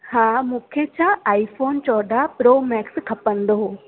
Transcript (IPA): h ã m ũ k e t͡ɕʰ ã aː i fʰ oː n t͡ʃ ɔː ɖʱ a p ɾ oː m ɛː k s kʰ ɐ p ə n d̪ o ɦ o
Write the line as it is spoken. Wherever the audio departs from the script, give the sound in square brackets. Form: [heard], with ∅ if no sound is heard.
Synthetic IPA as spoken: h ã m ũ [kʰ] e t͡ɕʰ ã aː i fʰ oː n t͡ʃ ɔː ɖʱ a p ɾ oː m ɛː k s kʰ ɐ p ə n d̪ o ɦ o